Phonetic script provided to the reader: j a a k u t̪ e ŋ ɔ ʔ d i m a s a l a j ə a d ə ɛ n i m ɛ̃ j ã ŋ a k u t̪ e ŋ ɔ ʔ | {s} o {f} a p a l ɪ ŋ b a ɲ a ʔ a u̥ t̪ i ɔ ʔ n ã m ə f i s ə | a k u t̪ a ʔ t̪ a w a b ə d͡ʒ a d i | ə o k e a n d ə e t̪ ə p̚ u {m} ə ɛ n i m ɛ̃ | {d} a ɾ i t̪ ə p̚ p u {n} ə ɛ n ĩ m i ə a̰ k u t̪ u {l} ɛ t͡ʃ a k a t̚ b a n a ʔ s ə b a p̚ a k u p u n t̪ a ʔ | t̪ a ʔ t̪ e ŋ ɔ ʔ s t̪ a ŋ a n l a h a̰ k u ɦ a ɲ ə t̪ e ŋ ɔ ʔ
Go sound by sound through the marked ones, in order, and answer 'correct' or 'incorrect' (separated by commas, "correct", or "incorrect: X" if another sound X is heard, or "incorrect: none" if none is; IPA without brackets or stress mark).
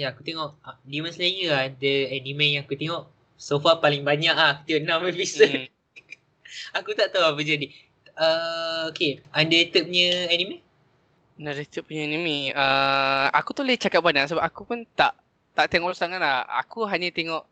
correct, correct, incorrect: ɲ, incorrect: n, incorrect: ɲ, correct